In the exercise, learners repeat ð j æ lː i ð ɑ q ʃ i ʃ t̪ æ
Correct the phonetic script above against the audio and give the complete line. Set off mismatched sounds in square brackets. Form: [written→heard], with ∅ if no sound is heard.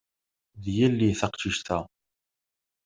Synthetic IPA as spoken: ð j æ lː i [ð→θ] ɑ q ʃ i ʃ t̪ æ